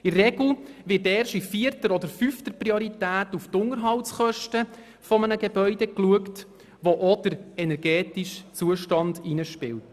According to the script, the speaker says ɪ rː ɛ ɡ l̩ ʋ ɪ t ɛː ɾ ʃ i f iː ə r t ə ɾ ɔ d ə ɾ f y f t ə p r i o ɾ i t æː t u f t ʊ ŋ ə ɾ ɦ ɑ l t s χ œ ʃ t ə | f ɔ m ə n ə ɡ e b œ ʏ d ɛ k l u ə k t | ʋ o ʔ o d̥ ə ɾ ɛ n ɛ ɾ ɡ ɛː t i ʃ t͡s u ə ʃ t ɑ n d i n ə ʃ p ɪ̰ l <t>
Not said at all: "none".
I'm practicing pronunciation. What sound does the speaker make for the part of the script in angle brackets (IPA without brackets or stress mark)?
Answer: t